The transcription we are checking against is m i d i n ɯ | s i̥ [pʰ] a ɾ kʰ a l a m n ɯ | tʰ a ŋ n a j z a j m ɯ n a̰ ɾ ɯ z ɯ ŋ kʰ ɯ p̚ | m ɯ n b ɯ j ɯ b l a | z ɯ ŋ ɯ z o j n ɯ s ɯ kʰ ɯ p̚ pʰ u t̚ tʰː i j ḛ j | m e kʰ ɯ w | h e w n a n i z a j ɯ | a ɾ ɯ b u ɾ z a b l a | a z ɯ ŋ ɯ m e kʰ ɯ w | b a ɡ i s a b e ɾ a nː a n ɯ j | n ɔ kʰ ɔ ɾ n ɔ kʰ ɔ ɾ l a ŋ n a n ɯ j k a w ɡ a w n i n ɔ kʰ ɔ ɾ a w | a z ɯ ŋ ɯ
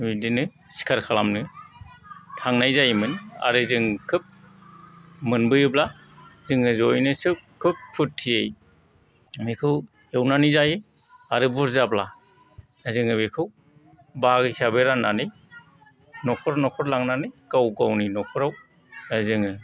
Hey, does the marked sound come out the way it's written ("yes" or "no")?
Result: no